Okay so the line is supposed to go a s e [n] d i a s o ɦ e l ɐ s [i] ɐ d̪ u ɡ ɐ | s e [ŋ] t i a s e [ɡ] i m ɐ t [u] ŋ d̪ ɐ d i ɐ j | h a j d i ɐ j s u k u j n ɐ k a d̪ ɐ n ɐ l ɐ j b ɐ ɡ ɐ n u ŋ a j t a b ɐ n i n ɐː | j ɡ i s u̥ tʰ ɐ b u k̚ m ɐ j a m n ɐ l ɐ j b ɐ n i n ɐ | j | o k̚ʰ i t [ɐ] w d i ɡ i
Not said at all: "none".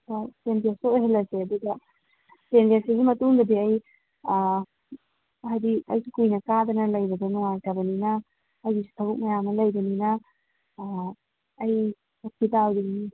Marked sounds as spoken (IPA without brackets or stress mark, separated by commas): n, e, n, ɡ, u, a